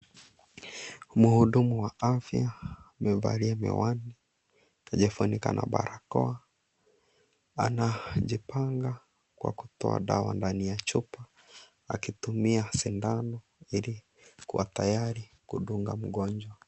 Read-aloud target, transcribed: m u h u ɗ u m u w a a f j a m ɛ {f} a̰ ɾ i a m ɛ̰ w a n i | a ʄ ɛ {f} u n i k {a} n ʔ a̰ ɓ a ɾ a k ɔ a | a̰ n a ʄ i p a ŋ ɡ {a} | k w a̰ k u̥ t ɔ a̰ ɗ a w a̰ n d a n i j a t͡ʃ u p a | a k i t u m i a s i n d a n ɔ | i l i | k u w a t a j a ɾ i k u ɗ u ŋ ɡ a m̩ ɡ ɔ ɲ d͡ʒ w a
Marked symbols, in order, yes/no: no, yes, yes, yes

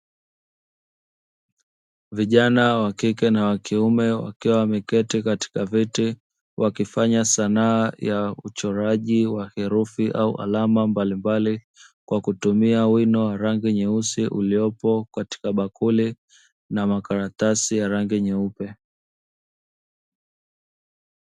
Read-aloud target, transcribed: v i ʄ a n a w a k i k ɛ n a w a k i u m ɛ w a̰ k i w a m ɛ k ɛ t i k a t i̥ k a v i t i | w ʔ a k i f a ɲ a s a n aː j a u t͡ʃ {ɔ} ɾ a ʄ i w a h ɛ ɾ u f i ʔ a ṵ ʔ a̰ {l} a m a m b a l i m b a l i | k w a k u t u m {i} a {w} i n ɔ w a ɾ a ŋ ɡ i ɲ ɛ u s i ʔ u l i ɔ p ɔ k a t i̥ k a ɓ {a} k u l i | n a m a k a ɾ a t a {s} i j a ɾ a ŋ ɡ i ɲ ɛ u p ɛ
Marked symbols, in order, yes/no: yes, yes, yes, yes, yes, yes

